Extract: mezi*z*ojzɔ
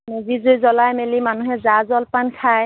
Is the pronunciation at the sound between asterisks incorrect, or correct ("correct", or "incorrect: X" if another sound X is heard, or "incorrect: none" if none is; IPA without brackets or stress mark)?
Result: correct